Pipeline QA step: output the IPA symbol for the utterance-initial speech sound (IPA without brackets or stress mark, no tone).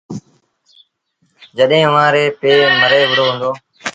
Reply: d͡ʒ